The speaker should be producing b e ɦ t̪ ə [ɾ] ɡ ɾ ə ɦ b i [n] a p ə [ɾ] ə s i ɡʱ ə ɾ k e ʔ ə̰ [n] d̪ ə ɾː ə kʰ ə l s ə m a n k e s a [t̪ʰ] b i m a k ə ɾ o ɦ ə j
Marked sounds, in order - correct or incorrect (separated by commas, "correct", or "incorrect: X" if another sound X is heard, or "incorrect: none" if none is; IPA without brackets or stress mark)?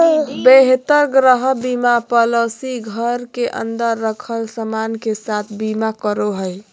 correct, incorrect: m, incorrect: l, correct, correct